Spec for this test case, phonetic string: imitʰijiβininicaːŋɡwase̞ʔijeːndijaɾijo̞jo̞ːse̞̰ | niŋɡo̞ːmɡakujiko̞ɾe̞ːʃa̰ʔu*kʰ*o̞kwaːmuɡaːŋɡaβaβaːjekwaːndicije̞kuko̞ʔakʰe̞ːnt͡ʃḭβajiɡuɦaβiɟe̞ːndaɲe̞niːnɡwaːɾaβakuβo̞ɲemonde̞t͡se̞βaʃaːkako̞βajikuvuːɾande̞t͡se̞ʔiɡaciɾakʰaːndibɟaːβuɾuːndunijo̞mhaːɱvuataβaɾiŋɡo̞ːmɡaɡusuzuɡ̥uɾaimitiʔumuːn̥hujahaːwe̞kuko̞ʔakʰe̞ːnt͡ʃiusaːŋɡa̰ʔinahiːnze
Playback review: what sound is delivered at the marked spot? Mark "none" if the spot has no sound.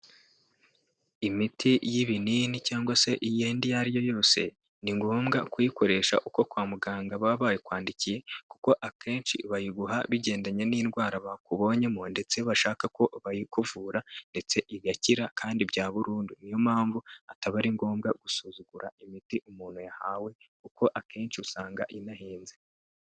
k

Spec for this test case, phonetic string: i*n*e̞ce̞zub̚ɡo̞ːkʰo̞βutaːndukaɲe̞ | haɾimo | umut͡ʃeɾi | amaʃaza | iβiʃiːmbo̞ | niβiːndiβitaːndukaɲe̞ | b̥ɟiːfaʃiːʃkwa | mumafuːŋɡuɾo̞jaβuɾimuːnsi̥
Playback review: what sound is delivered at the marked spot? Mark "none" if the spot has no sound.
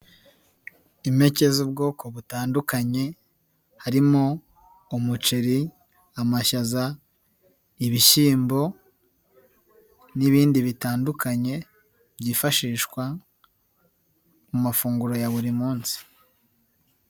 m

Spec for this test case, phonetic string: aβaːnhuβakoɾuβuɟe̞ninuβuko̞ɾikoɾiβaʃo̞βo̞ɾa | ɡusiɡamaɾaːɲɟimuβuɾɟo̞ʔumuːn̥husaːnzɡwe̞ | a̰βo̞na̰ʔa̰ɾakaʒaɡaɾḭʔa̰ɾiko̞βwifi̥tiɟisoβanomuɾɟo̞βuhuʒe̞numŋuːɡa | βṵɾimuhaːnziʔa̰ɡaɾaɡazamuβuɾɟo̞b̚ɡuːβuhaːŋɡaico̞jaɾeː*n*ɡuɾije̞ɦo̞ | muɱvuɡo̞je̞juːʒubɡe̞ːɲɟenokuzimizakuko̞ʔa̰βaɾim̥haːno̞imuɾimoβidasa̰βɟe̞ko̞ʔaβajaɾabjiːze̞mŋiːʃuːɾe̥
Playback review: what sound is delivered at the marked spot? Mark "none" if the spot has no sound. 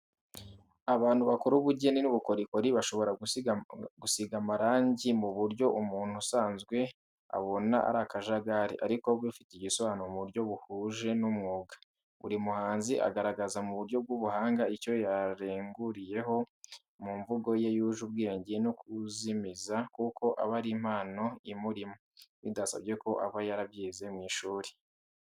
ŋ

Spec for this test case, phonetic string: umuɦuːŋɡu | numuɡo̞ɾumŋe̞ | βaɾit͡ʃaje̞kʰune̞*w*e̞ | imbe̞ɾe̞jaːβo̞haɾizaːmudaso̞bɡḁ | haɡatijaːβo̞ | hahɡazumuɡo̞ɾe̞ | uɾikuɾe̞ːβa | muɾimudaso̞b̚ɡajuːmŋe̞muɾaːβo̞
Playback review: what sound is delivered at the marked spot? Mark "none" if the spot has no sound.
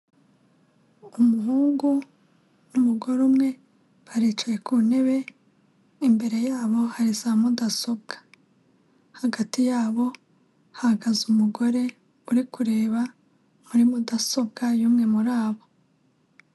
β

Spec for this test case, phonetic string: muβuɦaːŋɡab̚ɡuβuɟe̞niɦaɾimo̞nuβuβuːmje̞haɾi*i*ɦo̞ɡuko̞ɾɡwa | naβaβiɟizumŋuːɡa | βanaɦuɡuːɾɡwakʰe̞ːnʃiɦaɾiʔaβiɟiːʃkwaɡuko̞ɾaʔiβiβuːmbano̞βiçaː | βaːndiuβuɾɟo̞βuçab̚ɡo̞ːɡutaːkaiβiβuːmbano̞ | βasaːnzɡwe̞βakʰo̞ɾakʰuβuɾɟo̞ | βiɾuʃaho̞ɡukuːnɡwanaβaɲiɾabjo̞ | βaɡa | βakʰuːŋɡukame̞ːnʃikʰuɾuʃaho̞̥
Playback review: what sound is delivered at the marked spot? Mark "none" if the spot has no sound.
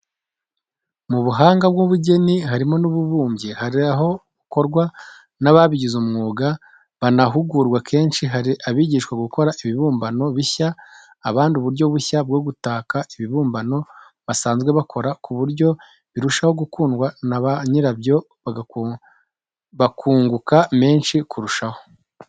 a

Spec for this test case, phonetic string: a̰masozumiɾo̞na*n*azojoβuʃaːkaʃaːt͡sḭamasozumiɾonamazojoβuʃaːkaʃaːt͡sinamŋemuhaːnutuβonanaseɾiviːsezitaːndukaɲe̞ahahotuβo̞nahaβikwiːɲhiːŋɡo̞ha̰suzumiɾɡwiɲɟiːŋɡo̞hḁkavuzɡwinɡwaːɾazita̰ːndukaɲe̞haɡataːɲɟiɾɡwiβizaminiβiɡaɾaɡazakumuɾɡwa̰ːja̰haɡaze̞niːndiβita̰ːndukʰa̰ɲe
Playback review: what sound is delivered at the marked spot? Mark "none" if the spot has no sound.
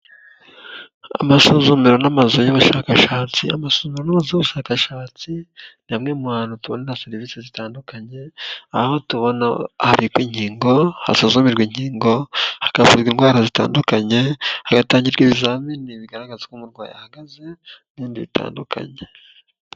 m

